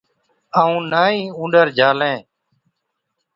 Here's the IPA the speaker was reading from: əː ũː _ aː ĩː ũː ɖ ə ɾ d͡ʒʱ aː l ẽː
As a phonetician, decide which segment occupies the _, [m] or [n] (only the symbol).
n